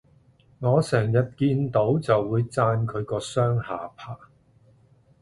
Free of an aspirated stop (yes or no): no